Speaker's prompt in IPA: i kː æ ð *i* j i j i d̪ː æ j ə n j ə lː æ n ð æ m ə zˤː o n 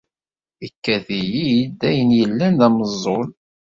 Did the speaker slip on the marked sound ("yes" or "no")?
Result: no